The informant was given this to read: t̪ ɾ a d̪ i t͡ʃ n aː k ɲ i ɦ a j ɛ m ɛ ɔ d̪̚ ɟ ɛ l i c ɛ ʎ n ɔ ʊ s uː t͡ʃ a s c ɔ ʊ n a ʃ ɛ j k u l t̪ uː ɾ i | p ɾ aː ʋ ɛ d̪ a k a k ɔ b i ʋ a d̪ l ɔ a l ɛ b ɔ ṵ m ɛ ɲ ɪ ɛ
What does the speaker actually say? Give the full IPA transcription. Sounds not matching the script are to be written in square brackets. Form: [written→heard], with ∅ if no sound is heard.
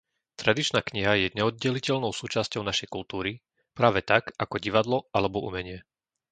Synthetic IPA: t̪ ɾ a d̪ i t͡ʃ n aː k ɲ i ɦ a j ɛ [m→ɲ] ɛ ɔ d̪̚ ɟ ɛ l i c ɛ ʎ n ɔ ʊ s uː t͡ʃ a s c ɔ ʊ n a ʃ ɛ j k u l t̪ uː ɾ i | p ɾ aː ʋ ɛ [d̪→t̪] a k a k ɔ [b→ɟ] i ʋ a d̪ l ɔ a l ɛ b ɔ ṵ m ɛ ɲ ɪ ɛ